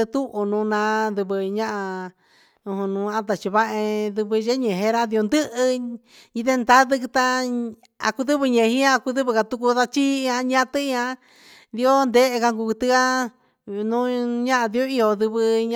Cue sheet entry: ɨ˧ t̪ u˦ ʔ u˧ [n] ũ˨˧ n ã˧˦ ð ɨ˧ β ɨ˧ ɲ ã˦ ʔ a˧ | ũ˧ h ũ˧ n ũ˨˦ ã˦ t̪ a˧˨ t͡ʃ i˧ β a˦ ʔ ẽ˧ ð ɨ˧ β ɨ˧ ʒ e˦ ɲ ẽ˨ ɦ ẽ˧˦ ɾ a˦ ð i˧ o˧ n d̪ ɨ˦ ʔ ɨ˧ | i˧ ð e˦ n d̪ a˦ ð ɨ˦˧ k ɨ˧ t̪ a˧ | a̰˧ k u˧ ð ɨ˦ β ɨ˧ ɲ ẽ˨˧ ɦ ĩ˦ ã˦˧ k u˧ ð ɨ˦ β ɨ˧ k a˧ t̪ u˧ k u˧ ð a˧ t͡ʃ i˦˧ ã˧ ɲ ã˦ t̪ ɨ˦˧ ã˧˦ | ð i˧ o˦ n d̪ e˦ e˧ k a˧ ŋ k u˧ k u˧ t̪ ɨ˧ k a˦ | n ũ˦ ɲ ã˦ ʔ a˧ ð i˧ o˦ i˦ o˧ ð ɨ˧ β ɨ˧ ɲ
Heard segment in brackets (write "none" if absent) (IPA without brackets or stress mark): n